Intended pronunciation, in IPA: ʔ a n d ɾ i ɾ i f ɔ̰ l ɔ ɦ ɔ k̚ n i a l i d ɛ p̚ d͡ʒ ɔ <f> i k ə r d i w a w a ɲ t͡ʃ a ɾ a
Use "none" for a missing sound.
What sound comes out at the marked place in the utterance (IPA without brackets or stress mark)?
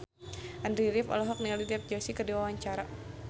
s